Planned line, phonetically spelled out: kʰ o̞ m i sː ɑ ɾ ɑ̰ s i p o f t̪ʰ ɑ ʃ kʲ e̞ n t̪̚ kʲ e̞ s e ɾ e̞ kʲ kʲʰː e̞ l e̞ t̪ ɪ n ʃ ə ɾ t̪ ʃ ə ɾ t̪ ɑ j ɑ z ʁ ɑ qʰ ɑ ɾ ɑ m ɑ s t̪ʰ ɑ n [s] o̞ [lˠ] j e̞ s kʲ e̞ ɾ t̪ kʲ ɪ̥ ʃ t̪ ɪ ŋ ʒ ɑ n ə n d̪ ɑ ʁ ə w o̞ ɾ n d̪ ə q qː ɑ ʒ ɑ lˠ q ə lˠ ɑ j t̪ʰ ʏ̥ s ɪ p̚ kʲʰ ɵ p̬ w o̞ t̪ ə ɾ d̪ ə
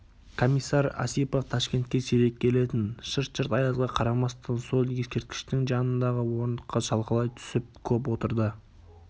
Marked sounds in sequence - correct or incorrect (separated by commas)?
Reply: correct, correct